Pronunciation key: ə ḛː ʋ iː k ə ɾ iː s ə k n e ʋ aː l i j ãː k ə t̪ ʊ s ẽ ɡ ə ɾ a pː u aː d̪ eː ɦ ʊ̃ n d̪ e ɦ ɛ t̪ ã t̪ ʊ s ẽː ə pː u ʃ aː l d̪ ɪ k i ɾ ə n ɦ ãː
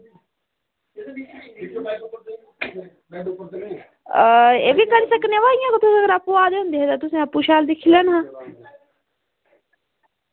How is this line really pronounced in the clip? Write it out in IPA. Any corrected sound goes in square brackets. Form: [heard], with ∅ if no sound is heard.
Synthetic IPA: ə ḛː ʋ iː k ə ɾ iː s ə k n e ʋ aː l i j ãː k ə t̪ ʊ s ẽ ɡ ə ɾ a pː u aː d̪ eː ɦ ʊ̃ n d̪ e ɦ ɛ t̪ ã t̪ ʊ s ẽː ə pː u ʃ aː l d̪ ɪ [kʰ] i [l] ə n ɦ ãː